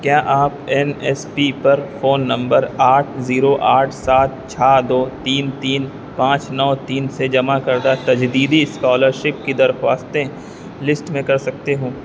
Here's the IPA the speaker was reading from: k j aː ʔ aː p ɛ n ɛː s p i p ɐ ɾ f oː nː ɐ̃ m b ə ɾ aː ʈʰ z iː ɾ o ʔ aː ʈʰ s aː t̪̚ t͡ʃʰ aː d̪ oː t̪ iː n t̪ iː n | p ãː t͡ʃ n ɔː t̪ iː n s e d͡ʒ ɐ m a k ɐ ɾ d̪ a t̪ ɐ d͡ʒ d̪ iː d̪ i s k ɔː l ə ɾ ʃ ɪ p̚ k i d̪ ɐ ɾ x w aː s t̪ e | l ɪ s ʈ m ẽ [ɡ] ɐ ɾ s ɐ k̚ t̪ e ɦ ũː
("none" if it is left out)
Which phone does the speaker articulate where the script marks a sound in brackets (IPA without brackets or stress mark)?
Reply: k